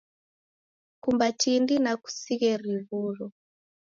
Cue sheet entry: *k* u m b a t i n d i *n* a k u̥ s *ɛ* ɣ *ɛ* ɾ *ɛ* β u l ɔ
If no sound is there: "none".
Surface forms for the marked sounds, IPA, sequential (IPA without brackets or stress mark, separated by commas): k, n, i, ɛ, i